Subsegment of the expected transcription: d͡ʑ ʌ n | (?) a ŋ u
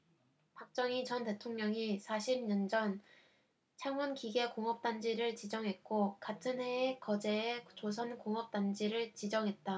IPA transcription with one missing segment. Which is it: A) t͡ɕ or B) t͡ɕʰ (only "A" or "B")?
B